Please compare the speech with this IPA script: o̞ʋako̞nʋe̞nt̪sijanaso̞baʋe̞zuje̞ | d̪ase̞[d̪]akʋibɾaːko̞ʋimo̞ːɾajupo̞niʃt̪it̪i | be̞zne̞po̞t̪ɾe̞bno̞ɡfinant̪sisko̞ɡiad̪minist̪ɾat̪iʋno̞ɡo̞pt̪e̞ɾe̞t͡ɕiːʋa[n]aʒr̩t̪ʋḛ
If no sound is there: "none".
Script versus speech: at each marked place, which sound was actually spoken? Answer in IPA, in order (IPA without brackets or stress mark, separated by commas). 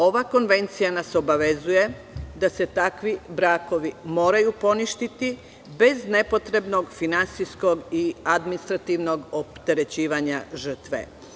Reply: t̪, ɲ